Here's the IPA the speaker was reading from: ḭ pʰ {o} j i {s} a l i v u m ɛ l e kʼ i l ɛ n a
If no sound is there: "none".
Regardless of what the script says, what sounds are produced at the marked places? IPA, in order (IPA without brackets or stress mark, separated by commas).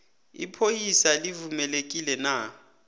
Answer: o, s